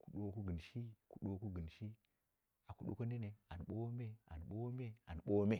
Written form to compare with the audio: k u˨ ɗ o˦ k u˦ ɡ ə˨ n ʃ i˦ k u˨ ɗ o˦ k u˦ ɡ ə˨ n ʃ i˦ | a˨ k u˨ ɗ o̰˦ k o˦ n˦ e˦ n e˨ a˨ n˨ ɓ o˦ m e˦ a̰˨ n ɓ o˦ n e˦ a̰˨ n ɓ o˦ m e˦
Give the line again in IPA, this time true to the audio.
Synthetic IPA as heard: k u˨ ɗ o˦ k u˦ ɡ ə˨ n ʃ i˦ k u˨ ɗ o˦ k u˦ ɡ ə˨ n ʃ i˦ | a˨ k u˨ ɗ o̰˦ k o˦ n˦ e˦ n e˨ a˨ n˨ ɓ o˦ m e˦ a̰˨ n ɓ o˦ m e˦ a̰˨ n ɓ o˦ m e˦